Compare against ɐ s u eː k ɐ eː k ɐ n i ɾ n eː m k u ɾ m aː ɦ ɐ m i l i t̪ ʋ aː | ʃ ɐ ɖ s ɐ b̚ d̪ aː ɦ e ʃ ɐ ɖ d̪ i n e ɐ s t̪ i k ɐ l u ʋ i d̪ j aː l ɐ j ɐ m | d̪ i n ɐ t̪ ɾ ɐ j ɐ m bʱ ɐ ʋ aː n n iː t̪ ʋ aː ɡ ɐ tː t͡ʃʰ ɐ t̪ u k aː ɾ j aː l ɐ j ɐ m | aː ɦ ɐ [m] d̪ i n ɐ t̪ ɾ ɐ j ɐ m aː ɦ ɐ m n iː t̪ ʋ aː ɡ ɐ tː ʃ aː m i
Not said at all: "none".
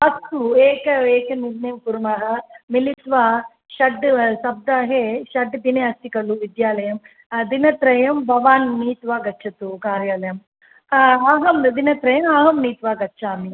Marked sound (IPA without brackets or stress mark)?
m